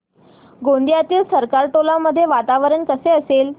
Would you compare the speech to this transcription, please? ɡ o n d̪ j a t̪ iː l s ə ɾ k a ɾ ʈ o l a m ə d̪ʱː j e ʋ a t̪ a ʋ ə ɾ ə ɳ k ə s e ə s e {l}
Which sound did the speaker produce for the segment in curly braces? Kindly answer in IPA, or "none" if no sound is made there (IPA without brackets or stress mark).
l